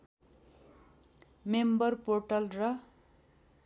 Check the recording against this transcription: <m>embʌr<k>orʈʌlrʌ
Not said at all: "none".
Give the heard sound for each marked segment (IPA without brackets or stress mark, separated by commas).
m, p